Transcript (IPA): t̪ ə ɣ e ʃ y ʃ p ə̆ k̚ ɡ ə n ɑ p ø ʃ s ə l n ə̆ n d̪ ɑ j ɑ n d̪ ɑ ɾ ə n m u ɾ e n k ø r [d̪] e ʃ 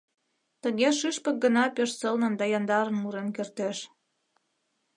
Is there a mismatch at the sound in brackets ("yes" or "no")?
yes